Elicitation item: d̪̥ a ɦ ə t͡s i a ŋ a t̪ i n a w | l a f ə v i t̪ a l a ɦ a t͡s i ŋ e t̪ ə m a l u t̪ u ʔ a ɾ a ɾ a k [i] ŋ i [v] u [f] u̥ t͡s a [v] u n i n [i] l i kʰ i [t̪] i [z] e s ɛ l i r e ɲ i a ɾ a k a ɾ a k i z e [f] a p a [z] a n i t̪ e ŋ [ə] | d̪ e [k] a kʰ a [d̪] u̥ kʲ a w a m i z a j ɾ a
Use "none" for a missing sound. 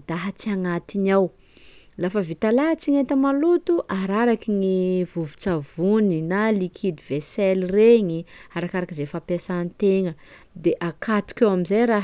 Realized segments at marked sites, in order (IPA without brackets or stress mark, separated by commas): i, v, v, v, a, d̪, v, f, s, ə, ʔ, t̪